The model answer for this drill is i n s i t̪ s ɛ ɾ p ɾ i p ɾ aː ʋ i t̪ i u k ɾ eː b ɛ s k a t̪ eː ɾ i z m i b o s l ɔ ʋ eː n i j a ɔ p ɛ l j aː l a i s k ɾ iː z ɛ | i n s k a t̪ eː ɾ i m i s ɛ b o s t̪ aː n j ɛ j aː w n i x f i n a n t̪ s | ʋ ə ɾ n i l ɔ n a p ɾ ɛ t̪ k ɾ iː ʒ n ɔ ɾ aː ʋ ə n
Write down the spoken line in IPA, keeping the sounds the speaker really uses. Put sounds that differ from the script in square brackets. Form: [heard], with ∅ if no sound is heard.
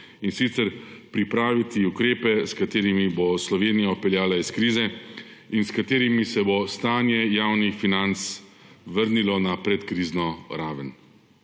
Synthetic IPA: i n s i t̪ s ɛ ɾ p ɾ i p ɾ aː ʋ i t̪ i u k ɾ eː [p] ɛ s k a t̪ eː ɾ i [∅] m i b o s l ɔ ʋ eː n i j a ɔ p ɛ l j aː l a i s k ɾ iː z ɛ | i n s k a t̪ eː ɾ i m i s ɛ b o s t̪ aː n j ɛ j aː w n i x f i n a n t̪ s | ʋ ə ɾ n i l ɔ n a p ɾ ɛ t̪ k ɾ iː [z] n ɔ ɾ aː ʋ ə n